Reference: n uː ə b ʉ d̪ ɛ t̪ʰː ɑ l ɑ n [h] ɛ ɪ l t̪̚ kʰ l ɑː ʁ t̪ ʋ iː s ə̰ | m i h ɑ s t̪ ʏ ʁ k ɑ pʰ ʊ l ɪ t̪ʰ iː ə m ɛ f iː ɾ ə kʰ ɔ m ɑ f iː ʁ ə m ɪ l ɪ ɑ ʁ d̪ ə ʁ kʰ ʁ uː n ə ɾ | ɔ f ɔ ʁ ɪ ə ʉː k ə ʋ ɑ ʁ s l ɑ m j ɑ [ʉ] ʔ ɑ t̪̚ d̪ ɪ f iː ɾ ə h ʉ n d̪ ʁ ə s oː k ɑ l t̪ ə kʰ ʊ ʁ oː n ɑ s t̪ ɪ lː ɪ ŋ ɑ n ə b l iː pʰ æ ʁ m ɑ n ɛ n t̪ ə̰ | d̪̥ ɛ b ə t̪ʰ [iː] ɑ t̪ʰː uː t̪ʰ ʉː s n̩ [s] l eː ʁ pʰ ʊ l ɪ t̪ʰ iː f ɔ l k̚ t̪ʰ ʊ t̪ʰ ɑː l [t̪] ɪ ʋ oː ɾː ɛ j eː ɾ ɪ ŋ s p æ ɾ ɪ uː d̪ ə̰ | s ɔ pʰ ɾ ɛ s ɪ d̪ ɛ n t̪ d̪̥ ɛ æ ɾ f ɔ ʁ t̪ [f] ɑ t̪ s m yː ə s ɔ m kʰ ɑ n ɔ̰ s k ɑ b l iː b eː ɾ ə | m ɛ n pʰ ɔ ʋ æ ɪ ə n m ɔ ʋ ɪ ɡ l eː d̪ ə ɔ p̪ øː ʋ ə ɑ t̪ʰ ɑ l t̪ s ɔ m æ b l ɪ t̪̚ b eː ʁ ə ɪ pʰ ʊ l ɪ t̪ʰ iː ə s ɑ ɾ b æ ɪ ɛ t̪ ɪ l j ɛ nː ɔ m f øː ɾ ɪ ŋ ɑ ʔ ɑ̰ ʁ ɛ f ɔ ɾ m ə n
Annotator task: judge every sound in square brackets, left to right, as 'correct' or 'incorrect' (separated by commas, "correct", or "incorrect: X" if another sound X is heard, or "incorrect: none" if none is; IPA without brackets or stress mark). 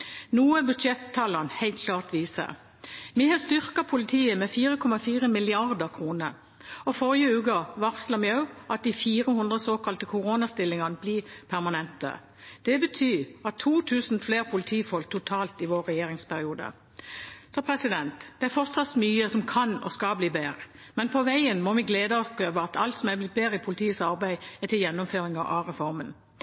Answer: correct, correct, incorrect: yː, incorrect: f, correct, incorrect: s